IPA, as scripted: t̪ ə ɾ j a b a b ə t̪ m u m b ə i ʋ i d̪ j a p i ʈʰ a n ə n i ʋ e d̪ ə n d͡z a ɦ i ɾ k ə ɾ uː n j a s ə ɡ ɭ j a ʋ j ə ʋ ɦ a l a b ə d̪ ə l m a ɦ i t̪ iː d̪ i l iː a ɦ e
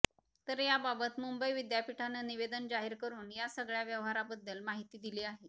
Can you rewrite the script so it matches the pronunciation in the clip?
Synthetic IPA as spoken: t̪ ə ɾ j a b a b ə t̪ m u m b ə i ʋ i d̪ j a p i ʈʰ a n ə n i ʋ e d̪ ə n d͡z a ɦ i ɾ k ə ɾ uː n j a s ə ɡ ɭ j a ʋ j ə ʋ ɦ a ɾ a b ə d̪ː ə l m a ɦ i t̪ iː d̪ i l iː a ɦ e